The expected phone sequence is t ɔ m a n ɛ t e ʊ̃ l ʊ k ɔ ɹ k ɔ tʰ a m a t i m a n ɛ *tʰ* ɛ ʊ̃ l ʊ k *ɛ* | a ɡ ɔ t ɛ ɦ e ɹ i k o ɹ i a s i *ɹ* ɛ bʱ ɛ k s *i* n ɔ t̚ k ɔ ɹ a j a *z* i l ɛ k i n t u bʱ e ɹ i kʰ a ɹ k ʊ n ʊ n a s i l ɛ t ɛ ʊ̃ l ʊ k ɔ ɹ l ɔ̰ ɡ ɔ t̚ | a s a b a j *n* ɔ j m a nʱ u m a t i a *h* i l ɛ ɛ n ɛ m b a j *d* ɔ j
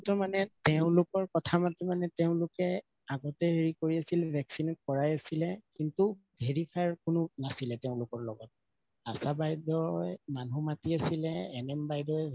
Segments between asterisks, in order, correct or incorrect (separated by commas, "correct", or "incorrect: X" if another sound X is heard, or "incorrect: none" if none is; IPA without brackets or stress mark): incorrect: t, correct, incorrect: l, correct, incorrect: s, incorrect: d, incorrect: s, correct